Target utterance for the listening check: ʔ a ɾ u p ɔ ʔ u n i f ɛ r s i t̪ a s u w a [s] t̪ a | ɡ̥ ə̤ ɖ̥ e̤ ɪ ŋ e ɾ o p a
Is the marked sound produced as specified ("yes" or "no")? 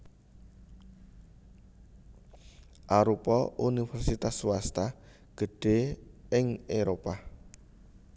yes